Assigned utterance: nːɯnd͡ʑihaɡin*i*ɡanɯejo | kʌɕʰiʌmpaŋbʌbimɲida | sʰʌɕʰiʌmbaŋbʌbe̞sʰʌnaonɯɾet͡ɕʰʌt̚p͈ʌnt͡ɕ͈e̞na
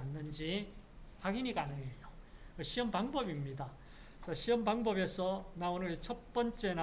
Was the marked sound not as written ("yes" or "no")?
no